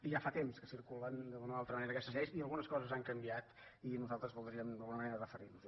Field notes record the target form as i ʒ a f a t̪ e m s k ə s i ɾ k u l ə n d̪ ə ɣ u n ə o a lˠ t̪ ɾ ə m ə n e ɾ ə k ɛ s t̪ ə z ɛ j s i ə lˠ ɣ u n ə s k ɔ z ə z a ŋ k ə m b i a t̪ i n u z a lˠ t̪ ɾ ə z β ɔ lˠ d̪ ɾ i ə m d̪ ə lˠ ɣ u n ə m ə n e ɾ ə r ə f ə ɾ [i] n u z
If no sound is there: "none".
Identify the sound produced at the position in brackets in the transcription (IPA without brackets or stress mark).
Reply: i